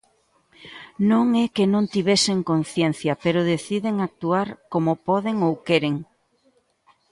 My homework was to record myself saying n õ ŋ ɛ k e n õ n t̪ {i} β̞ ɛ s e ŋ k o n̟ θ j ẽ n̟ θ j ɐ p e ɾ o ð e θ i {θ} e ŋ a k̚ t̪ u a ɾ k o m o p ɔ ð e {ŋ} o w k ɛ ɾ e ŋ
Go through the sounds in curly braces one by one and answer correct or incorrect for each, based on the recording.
correct, incorrect: ð, correct

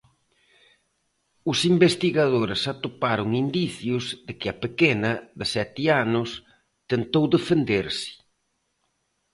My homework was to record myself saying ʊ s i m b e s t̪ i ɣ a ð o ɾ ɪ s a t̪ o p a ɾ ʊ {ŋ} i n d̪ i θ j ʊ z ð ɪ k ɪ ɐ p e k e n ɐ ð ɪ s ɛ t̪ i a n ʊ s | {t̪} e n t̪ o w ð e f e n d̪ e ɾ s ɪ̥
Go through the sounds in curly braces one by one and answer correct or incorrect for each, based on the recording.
correct, correct

